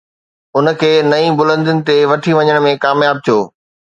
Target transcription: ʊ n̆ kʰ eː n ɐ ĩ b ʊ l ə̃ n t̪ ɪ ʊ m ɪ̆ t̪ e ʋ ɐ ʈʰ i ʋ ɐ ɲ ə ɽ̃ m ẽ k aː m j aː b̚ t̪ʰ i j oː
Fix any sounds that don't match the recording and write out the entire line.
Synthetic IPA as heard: ʊ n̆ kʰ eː n ɐ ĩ b ʊ l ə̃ n d̪ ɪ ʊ n ɪ̆ t̪ e ʋ ɐ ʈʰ i ʋ ɐ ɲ ə ɽ̃ m ẽ k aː m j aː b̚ t̪ʰ i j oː